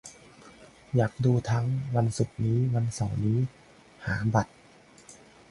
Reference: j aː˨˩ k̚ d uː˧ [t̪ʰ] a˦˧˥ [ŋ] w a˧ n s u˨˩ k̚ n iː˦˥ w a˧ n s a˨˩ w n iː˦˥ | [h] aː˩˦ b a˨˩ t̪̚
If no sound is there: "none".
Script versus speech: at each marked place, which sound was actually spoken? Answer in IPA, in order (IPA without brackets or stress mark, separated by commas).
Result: t̪ʰ, ŋ, h